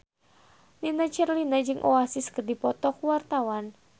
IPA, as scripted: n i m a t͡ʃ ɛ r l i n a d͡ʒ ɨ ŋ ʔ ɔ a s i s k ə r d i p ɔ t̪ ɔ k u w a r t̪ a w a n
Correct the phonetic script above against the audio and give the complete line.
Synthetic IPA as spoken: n i n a t͡ʃ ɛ r l i n a d͡ʒ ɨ ŋ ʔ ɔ a s i s k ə r d i p ɔ t̪ ɔ k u w a r t̪ a w a n